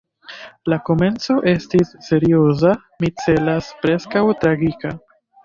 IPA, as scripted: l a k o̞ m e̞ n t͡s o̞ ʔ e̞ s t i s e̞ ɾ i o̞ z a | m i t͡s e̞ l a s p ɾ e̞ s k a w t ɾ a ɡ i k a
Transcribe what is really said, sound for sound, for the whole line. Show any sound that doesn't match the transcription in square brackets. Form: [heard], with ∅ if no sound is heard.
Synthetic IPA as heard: l a k o̞ m e̞ n t͡s o̞ ʔ e̞ s t i [sː] e̞ ɾ i o̞ z a | m i t͡s e̞ l a s p ɾ e̞ s k a w t ɾ a ɡ i k a